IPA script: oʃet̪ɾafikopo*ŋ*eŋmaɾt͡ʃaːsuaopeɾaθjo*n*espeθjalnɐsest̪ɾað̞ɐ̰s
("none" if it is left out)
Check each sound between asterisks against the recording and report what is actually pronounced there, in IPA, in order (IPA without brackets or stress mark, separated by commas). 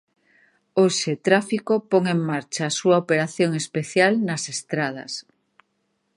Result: ŋ, ŋ